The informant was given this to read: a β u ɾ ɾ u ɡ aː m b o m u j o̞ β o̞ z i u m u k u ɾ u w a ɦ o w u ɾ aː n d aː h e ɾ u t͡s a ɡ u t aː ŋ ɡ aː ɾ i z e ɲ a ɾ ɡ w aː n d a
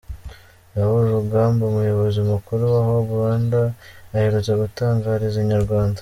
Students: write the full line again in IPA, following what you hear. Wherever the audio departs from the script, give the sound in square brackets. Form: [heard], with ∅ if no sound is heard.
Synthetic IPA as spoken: a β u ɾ ɾ u ɡ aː m b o m u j o̞ β o̞ z i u m u k u ɾ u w a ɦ o [β] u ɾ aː n d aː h e ɾ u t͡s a ɡ u t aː ŋ ɡ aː ɾ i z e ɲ a ɾ ɡ w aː n d a